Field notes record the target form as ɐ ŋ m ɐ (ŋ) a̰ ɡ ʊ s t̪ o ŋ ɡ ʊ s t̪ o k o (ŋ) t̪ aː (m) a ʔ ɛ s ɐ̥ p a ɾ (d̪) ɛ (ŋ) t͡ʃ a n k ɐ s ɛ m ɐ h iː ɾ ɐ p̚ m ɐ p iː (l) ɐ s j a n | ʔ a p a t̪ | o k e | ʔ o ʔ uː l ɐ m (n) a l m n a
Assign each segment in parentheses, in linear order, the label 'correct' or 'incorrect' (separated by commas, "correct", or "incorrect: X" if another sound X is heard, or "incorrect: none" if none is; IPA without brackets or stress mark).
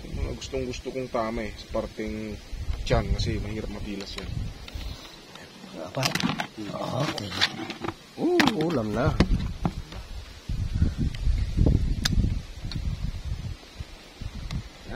correct, correct, correct, incorrect: t̪, correct, correct, correct